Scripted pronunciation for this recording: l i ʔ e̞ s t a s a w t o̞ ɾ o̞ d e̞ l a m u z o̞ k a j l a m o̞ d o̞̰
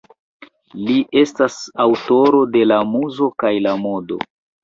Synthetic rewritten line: l i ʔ e̞ s t a s a w t o̞ ɾ o̞ d e̞ l a m u z o̞ k a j l a m o̞ d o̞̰